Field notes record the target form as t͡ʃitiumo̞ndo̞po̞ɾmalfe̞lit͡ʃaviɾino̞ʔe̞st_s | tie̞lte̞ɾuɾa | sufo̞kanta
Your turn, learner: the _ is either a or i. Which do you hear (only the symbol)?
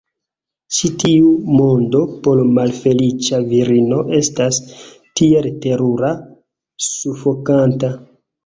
a